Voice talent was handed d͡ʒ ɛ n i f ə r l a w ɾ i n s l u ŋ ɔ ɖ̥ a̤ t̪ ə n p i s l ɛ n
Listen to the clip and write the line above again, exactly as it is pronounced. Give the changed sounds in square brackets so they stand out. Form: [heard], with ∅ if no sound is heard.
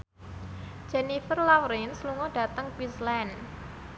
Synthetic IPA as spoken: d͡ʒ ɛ n i f ə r l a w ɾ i n s l u ŋ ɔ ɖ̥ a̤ t̪ ə [ŋ] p i s l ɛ n

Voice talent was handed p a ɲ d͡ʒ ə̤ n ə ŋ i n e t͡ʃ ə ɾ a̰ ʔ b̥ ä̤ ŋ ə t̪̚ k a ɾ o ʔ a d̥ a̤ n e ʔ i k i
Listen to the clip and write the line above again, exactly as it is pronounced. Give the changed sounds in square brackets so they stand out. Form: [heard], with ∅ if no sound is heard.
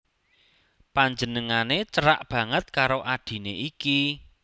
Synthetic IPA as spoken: p a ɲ d͡ʒ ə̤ n ə ŋ [a] n e t͡ʃ ə ɾ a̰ ʔ b̥ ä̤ ŋ ə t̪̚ k a ɾ o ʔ a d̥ [i̤] n e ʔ i k i

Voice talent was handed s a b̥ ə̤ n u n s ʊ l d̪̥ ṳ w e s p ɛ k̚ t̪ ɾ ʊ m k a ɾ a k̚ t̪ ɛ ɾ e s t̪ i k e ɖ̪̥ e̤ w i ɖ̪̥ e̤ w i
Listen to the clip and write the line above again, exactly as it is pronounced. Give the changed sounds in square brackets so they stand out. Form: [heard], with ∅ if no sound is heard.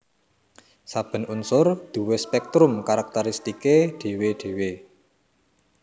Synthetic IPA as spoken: s a b̥ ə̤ n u n s ʊ [r] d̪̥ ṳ w e s p ɛ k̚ t̪ ɾ ʊ m k a ɾ a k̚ t̪ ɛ ɾ [i] s t̪ i k e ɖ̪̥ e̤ w [e] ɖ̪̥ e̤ w [e]

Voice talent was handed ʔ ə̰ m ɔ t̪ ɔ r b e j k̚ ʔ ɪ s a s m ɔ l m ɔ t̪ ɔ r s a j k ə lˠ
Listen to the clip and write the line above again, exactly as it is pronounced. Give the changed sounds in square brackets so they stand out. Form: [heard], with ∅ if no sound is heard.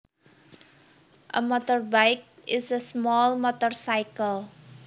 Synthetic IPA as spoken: ʔ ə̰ m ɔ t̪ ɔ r b [a] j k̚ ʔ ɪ s [ə] s m ɔ l m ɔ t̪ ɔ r s a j k ə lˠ

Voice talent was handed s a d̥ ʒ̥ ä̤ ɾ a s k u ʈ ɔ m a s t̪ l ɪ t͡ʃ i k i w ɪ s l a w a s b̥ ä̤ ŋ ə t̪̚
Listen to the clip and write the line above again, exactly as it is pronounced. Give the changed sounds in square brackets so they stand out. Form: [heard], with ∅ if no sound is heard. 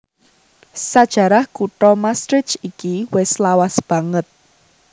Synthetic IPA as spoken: s a d̥ ʒ̥ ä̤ ɾ a [h] k u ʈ ɔ m a s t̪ [ɾ] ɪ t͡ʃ i k i w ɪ s l a w a s b̥ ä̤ ŋ ə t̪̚

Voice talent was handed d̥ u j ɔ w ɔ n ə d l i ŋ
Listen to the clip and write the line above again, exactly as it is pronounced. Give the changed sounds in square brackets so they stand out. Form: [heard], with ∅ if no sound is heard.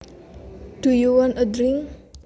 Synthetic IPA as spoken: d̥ u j [u] w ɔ n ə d [ɾ] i ŋ

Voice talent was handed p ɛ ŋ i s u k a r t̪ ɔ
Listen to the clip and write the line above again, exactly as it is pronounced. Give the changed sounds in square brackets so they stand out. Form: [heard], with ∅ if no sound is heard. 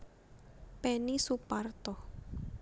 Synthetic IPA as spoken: p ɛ [n] i s u [p] a r t̪ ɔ

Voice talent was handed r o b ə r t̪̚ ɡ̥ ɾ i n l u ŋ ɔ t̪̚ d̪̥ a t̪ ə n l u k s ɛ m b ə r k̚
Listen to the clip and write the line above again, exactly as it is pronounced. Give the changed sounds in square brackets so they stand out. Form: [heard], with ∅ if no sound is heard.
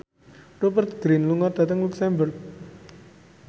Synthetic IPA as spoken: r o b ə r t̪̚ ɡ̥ ɾ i n l u ŋ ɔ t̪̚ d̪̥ a t̪ ə [ŋ] l u k s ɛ m b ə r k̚

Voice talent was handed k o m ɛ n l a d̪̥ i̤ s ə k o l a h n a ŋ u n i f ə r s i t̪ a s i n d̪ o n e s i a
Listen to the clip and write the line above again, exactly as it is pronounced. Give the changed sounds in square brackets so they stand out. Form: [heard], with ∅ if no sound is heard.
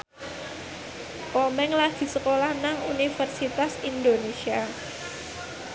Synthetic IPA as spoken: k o m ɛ [ŋ] l a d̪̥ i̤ s ə k o l a h n a ŋ u n i f ə r s i t̪ a s i n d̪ o n e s i a

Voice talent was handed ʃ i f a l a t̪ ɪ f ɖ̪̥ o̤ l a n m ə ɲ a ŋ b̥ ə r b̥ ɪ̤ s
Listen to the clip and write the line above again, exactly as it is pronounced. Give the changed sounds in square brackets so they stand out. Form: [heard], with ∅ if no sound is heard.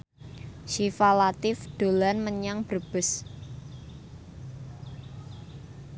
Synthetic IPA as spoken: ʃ i f a l a t̪ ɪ f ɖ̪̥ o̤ l a n m ə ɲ a ŋ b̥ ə r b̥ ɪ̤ s

